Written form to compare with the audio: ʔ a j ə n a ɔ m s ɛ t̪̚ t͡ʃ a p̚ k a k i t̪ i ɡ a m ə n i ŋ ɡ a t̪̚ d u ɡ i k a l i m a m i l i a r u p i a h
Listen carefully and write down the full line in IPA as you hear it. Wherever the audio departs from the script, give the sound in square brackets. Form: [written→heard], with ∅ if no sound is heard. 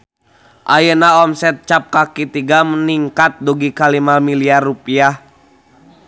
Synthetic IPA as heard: ʔ a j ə n a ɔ m s ɛ t̪̚ t͡ʃ a p̚ k a k i t̪ i ɡ a m ə n i ŋ [ɡ→k] a t̪̚ d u ɡ i k a l i m a m i l i a r u p i a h

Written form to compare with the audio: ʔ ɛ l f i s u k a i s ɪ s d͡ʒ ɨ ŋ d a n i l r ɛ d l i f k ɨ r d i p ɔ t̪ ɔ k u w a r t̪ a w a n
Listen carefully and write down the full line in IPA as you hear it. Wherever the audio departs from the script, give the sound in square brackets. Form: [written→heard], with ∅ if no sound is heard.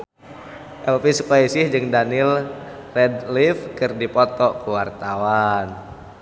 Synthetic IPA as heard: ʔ ɛ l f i s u k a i s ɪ [s→h] d͡ʒ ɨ ŋ d a n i l r ɛ d l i f k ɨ r d i p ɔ t̪ ɔ k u w a r t̪ a w a n

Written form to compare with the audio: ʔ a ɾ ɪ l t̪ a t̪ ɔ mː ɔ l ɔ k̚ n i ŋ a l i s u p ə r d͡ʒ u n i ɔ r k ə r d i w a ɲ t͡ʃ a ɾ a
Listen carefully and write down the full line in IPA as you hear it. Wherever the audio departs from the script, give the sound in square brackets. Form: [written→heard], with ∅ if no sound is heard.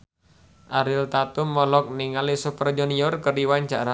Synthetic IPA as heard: ʔ a ɾ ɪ l t̪ a t̪ [ɔ→u] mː ɔ l ɔ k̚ n i ŋ a l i s u p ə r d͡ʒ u n i ɔ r k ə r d i w a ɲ t͡ʃ a ɾ a

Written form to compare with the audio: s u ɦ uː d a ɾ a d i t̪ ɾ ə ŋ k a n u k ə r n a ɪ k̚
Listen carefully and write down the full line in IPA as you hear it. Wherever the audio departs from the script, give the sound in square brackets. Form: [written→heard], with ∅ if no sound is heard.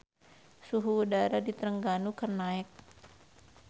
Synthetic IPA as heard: s u ɦ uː d a ɾ a d i t̪ ɾ ə ŋ [k→ɡ] a n u k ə r n a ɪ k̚

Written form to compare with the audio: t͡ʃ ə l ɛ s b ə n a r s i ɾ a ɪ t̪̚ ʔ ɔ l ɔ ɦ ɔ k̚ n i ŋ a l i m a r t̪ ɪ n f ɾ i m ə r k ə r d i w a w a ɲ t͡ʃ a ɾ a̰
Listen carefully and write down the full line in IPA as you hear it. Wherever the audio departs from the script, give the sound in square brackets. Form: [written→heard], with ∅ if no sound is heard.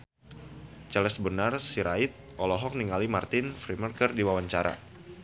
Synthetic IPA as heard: t͡ʃ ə l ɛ s b ə n a r s i ɾ a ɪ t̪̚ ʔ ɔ l ɔ ɦ ɔ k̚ n i ŋ a l i m a r t̪ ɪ n f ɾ i m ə r k ə r d i w a w a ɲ t͡ʃ a ɾ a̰

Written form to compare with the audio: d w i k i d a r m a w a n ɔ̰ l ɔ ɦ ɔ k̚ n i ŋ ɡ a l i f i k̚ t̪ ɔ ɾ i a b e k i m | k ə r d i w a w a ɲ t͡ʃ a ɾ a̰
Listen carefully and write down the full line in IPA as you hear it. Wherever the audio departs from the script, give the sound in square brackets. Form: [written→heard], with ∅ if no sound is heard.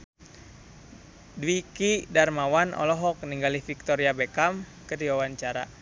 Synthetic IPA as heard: d w i k i d a r m a w a n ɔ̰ l ɔ ɦ ɔ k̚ n i ŋ ɡ a l i f i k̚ t̪ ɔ ɾ i a b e k [i→a] m | k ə r d i w a w a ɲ t͡ʃ a ɾ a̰

